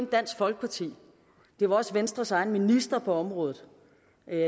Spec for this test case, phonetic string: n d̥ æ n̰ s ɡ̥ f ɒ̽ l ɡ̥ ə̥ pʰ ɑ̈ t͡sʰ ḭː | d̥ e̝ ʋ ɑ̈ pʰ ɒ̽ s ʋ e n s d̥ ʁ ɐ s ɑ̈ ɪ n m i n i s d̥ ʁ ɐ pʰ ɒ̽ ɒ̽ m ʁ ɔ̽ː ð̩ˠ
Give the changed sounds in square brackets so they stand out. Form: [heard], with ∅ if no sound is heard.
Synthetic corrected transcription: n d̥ æ n̰ s ɡ̥ f ɒ̽ l ɡ̥ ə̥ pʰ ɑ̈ t͡sʰ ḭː | d̥ e̝ ʋ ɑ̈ [∅] ɒ̽ s ʋ e n s d̥ ʁ ɐ s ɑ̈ ɪ n m i n i s d̥ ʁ ɐ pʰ ɒ̽ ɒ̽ m ʁ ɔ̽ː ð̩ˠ